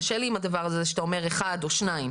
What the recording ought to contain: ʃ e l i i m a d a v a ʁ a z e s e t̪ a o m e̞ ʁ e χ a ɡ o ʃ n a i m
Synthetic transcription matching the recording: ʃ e l i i m a d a v a ʁ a z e ʃ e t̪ a o m e̞ ʁ e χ a d o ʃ n a i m